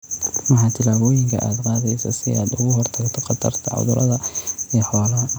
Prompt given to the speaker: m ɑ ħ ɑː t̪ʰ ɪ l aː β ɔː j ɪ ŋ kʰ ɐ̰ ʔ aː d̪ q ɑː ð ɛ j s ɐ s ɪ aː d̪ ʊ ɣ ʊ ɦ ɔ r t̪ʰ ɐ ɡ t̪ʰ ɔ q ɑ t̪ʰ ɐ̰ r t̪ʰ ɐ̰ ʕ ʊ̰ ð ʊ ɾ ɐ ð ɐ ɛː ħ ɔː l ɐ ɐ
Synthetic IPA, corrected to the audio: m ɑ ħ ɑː t̪ʰ ɪ l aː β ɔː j ɪ ŋ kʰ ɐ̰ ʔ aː d̪ q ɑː ð ɛ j s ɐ s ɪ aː d̪ ʊ ɣ ʊ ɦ ɔ r t̪ʰ ɐ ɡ t̪ʰ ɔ q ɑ t̪ʰ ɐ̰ r t̪ʰ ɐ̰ ʕ ʊ̰ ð ʊ ɾ ɐ ð ɐ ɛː ħ ɔː l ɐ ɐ